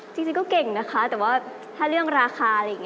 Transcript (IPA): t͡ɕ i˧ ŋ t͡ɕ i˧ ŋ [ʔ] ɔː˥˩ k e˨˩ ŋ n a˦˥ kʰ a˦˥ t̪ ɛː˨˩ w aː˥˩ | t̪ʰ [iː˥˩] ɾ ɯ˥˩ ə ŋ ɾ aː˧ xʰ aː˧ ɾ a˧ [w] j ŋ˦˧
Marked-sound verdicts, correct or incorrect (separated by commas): incorrect, incorrect, incorrect